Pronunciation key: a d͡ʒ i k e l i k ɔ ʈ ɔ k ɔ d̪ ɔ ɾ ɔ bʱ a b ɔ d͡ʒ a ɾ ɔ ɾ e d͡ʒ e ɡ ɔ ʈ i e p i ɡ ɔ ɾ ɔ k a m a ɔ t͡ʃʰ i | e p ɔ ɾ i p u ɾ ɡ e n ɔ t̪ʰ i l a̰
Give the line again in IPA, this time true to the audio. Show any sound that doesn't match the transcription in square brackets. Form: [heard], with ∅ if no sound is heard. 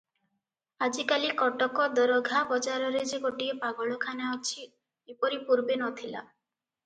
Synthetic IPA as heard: a d͡ʒ i k [a] l i k ɔ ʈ ɔ k ɔ d̪ ɔ ɾ ɔ [ɡʱ] a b ɔ d͡ʒ a ɾ ɔ ɾ e d͡ʒ e ɡ [o] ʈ i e p [a] ɡ ɔ [ɭ] ɔ [kʰ] a [n] a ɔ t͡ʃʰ i | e p ɔ ɾ i p u ɾ [b] e n ɔ t̪ʰ i l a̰